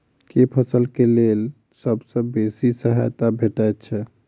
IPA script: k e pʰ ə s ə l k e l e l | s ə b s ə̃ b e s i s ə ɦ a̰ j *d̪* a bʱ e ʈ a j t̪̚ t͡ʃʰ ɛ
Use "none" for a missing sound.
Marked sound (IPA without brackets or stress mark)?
t̪